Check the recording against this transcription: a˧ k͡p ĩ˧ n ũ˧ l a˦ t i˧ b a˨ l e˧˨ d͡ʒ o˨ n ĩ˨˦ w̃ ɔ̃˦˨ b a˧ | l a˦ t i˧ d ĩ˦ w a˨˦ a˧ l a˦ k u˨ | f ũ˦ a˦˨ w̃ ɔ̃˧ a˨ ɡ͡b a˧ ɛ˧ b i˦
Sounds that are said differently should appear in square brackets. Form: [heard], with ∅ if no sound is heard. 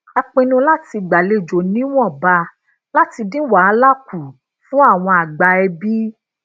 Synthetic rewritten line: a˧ k͡p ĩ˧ n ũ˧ l a˦ t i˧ [ɡ͡b] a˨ l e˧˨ d͡ʒ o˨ n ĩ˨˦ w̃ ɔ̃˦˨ b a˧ | l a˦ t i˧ d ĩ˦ w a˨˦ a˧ l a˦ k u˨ | f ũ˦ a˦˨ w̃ ɔ̃˧ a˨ ɡ͡b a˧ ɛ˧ b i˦